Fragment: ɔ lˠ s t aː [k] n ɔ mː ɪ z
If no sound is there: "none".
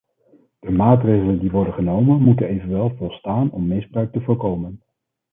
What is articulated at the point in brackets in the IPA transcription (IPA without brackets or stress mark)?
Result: none